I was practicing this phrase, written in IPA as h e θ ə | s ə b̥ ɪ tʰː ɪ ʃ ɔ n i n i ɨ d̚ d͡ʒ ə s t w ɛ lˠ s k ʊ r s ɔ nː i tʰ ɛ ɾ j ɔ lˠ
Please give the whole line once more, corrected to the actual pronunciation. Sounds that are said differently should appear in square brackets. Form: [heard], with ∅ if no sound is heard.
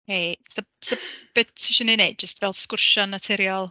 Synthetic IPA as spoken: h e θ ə | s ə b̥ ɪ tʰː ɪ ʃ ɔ n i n [e] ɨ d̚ d͡ʒ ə s t [v] ɛ lˠ s k ʊ r [ʃ] ɔ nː [a] tʰ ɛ ɾ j ɔ lˠ